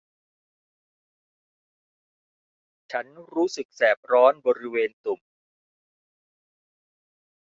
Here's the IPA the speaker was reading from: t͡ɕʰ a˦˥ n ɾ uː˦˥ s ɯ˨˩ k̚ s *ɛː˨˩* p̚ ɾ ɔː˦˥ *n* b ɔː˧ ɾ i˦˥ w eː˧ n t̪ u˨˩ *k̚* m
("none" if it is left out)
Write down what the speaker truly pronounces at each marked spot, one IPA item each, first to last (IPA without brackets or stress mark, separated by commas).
ɛː˨˩, n, none